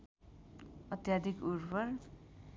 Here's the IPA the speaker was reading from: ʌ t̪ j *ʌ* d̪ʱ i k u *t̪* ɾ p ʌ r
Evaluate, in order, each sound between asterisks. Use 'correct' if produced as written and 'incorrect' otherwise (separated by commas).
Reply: incorrect, incorrect